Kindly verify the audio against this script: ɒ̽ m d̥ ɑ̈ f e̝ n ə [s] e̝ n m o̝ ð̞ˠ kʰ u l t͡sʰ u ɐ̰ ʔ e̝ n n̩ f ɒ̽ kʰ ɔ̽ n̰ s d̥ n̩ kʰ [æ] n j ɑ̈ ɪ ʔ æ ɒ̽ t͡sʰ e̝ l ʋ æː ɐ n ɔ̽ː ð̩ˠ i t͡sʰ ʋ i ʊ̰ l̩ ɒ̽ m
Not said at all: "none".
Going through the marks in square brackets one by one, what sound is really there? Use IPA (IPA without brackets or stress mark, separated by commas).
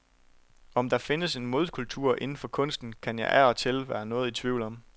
s, æ